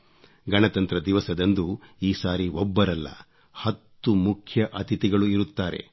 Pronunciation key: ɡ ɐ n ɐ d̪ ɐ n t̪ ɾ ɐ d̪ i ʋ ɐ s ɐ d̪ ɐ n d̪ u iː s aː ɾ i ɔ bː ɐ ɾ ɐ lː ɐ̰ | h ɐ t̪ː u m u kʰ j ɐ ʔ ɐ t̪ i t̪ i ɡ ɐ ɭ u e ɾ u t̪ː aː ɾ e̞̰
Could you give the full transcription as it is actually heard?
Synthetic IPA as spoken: ɡ ɐ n ɐ t̪ ɐ n t̪ ɾ ɐ d̪ i ʋ ɐ s ɐ d̪ ɐ n d̪ u iː s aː ɾ i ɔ bː ɐ ɾ ɐ lː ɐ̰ | h ɐ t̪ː u m u kʰ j ɐ ʔ ɐ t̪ i t̪ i ɡ ɐ ɭ u i ɾ u t̪ː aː ɾ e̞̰